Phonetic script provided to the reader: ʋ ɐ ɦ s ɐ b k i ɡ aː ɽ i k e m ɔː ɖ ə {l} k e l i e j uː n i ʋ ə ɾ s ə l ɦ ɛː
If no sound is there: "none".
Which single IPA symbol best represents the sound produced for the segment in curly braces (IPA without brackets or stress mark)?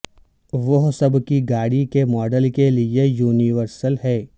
l